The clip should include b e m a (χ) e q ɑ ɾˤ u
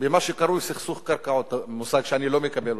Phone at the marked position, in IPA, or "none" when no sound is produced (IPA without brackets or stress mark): ʃ